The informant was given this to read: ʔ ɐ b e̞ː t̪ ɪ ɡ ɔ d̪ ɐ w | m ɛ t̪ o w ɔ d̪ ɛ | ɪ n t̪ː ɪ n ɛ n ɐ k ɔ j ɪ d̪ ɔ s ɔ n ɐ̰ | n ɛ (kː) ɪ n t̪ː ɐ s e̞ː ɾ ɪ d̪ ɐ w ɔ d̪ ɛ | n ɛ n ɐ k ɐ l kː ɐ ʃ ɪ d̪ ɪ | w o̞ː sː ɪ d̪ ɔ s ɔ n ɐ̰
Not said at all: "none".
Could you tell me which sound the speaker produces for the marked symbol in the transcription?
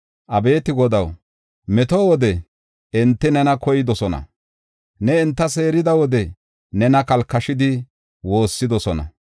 none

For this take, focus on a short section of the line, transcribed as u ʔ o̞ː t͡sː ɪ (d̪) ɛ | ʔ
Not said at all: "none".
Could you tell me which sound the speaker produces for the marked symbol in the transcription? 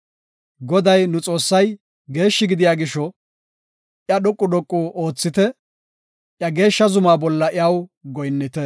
t̪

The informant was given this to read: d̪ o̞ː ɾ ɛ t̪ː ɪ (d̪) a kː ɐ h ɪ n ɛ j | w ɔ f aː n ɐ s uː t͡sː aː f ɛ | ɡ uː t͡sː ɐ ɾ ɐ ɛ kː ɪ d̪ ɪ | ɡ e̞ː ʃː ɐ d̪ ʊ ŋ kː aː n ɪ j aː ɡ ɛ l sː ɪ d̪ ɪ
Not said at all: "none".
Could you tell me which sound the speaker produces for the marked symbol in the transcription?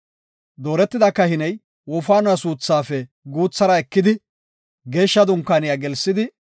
d̪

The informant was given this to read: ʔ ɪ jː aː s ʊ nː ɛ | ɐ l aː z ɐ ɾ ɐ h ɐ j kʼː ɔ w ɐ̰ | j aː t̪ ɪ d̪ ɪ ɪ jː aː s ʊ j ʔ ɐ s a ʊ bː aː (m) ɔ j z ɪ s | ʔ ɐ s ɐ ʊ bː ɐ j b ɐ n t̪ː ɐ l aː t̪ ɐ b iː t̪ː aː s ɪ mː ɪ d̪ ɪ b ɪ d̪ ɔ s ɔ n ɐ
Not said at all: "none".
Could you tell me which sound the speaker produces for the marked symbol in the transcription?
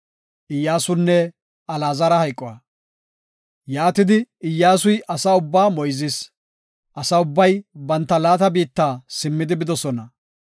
m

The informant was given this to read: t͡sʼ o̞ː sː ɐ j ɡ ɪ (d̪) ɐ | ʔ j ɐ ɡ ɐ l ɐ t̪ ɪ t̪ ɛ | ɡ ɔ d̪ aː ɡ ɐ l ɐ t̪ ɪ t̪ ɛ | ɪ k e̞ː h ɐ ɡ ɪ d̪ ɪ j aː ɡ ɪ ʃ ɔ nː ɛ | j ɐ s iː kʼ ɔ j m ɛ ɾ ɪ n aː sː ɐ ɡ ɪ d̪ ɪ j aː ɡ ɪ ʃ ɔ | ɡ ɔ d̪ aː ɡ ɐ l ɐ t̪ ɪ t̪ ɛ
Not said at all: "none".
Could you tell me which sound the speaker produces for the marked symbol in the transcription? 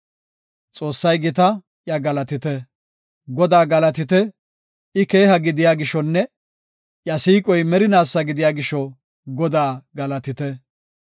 t̪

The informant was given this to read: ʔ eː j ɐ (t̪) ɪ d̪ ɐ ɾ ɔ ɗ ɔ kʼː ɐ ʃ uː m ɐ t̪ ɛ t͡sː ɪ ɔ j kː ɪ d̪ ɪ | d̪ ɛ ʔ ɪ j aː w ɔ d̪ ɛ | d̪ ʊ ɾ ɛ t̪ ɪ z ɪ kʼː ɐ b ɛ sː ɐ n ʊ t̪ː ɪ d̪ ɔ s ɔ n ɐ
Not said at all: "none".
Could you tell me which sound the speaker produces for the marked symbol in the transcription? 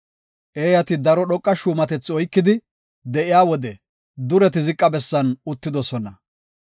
t̪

